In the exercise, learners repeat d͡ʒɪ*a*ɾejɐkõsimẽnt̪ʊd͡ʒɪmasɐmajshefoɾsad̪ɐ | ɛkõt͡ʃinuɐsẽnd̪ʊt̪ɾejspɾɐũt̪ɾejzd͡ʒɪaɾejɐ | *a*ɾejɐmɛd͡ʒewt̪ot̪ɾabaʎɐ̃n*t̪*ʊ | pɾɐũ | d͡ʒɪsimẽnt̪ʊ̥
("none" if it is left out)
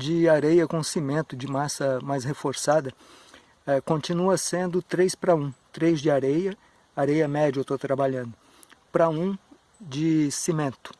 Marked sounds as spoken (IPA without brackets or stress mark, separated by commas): a, a, d̪